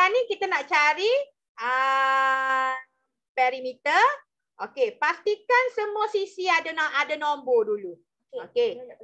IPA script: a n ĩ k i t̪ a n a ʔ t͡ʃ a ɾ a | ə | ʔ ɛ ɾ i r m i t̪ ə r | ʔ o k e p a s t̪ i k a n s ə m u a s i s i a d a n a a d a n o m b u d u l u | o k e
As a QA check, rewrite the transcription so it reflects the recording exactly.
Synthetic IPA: a n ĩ k i t̪ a n a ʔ t͡ʃ a ɾ i | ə | p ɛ ɾ i m i t̪ ə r | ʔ o k e p a s t̪ i k a n s ə m u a s i s i a d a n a a d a n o m b o d u l u | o k e